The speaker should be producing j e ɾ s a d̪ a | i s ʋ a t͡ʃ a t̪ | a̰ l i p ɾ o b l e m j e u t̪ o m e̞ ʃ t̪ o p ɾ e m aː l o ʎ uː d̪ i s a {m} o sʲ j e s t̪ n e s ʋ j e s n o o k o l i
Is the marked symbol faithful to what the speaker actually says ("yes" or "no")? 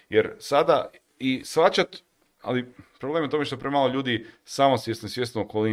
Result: yes